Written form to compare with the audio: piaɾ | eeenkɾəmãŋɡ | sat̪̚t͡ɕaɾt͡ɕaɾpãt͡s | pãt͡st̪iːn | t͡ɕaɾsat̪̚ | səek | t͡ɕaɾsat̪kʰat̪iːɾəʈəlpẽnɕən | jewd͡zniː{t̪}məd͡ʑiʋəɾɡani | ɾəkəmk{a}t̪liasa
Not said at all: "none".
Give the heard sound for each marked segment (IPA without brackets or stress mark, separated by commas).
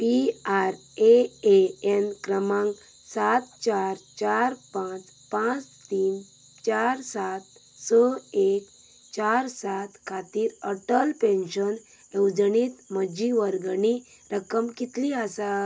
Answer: t̪, i